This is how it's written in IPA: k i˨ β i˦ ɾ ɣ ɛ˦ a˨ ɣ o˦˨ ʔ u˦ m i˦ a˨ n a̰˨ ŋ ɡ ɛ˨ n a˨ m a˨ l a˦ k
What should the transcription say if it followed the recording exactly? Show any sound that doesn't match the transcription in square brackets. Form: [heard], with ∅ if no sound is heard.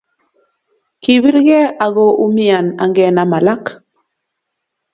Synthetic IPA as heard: k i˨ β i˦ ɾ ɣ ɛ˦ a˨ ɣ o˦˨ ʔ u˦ m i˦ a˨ n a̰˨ ŋ ɡ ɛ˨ n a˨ m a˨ l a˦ k

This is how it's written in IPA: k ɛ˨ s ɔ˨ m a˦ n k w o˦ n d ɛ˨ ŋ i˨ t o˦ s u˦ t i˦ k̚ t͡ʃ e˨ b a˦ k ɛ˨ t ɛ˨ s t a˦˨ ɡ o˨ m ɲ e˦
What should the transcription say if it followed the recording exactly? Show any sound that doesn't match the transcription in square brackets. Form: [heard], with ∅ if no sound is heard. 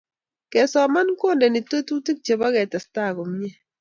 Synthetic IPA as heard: k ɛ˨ s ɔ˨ m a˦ n k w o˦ n d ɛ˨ [n] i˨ t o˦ [t] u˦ t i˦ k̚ t͡ʃ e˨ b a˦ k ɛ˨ t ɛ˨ s t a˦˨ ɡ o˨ m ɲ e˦

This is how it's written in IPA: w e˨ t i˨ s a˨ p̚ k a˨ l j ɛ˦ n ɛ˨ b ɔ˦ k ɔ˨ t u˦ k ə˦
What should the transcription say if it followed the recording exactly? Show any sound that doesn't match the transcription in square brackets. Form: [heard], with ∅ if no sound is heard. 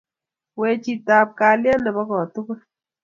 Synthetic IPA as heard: w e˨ [t͡ʃ] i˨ [t] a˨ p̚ k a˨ l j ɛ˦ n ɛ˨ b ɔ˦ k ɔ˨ t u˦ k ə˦

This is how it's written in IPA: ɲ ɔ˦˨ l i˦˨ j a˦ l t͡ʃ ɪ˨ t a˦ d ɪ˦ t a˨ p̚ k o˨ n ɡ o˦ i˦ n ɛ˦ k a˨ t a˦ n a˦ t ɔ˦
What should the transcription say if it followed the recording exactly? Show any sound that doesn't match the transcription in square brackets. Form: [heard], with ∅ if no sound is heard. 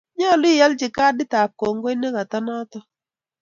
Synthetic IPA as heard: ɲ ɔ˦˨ l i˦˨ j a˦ l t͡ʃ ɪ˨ [k] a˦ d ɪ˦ t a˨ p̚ k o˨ [ŋ] ɡ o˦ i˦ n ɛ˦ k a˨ t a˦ n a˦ t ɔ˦

